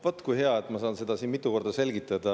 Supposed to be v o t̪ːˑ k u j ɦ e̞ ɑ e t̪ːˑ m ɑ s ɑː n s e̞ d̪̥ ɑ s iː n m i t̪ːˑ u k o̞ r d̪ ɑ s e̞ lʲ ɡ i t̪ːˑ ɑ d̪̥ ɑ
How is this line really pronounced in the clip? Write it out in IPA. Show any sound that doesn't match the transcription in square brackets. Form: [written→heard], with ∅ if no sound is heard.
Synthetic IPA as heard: v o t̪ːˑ k u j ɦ e̞ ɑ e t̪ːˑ m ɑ s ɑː n s e̞ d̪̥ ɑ s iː n m i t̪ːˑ u k o̞ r d̪ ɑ s e̞ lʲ ɡ i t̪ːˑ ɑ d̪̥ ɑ